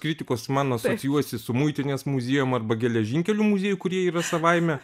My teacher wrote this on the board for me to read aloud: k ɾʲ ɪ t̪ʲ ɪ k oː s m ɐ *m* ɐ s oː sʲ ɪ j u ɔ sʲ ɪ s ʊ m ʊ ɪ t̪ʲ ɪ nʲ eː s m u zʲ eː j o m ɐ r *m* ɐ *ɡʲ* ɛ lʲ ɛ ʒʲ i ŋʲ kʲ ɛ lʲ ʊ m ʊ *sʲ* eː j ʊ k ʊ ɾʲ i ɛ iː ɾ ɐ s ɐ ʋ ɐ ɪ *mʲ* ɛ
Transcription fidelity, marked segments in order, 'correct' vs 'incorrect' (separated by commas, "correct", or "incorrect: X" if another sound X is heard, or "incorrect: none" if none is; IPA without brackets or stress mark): incorrect: n, incorrect: b, correct, incorrect: zʲ, correct